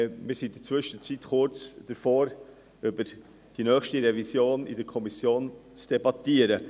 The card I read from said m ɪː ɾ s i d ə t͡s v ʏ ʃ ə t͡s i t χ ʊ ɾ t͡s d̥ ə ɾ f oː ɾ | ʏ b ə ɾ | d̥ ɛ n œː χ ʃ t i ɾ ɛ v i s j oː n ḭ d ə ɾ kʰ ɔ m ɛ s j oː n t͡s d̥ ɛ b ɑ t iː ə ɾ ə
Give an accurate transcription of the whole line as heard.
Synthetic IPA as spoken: m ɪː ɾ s i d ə t͡s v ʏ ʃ ə t͡s i t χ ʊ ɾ t͡s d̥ ə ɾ f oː ɾ | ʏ b ə ɾ | d̥ i n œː χ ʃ t i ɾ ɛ v i s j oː n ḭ d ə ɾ kʰ ɔ m i s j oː n t͡s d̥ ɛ b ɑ t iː ə ɾ ə